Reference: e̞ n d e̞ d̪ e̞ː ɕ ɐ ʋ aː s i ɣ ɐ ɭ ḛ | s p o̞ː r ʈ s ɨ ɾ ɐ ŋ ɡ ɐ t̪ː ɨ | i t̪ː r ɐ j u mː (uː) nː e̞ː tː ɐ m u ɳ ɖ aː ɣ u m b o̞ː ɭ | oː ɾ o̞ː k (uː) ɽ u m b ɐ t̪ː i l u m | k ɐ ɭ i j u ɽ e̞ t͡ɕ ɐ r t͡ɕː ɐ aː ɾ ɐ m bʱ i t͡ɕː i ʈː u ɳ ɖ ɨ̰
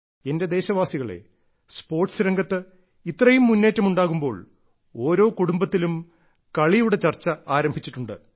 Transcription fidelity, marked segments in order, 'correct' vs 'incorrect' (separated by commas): incorrect, incorrect